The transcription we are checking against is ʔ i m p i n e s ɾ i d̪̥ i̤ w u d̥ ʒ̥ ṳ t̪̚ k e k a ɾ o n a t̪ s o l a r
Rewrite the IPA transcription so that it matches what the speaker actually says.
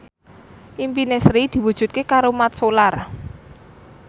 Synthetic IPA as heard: ʔ i m p i n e s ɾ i d̪̥ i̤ w u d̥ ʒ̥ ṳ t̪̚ k e k a ɾ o m a t̪ s o l a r